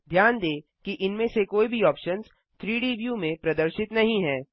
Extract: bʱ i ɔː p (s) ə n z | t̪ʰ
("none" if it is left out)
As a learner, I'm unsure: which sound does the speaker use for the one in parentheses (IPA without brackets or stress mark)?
ʃ